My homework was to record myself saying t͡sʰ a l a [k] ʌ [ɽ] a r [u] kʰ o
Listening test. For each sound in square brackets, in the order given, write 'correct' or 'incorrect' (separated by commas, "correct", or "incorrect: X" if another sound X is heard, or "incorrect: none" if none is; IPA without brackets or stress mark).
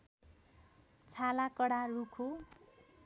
correct, correct, correct